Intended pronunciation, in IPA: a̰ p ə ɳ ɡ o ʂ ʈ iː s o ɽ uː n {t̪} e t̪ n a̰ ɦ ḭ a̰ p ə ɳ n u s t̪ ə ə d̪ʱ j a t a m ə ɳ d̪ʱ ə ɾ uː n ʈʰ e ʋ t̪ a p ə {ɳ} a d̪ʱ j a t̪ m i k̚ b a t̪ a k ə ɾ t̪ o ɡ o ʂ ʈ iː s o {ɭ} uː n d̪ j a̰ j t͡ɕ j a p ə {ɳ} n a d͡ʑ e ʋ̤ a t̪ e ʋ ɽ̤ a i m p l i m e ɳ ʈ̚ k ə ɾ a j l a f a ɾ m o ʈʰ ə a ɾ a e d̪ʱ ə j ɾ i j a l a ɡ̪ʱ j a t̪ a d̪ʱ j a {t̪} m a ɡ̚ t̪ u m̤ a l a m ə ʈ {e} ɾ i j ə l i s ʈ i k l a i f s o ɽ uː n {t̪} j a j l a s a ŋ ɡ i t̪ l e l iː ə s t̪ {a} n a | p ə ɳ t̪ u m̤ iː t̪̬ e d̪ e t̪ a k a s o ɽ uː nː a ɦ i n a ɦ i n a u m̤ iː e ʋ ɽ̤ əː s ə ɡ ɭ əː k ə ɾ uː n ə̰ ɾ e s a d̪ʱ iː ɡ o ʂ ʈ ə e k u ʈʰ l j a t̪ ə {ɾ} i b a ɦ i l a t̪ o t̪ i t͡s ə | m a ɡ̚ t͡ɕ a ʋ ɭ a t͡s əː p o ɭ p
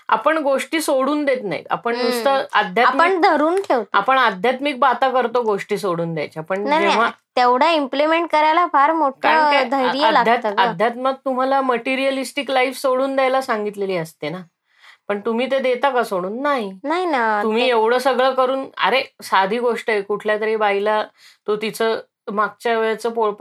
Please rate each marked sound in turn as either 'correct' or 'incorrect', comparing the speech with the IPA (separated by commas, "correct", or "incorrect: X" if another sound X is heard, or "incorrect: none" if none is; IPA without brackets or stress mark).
incorrect: d̪, correct, incorrect: ɽ, correct, correct, incorrect: i, incorrect: d̪, incorrect: e, correct